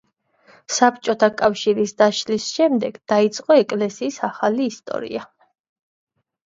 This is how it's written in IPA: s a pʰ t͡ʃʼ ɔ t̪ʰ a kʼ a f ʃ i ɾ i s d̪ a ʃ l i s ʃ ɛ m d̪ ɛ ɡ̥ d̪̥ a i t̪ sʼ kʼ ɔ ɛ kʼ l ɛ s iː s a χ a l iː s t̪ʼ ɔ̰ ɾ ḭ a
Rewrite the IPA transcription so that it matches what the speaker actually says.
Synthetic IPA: s a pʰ t͡ʃʼ ɔ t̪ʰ a kʼ a f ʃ i ɾ i s d̪ a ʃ l i s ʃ ɛ m d̪ ɛ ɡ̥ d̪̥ a i t̪ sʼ qʼ ɔ ɛ kʼ l ɛ s iː s a χ a l iː s t̪ʼ ɔ̰ ɾ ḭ a